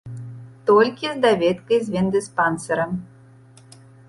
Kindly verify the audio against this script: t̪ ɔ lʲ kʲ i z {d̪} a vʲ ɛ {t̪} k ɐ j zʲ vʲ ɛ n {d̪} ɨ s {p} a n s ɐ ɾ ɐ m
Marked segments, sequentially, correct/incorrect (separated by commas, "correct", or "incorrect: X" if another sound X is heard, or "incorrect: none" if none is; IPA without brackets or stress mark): correct, correct, correct, correct